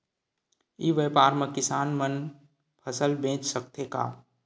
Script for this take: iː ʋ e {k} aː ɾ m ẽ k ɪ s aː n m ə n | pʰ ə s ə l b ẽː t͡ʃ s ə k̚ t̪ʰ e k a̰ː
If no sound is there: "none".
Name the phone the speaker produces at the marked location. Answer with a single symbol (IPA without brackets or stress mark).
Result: p